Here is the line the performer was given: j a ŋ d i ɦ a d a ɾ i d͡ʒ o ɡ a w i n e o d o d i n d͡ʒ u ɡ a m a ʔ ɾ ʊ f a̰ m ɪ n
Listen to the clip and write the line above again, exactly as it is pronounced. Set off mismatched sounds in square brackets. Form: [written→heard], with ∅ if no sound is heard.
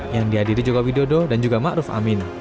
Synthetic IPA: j a ŋ d i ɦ a d [a→i] ɾ i d͡ʒ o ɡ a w i [n→d] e o d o d [i→a] n d͡ʒ u ɡ a m a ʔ ɾ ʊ f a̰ m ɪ n